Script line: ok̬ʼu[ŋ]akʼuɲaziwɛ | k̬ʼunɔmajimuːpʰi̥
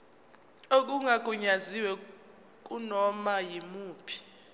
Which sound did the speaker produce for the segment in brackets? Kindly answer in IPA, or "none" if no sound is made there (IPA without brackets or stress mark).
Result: ŋ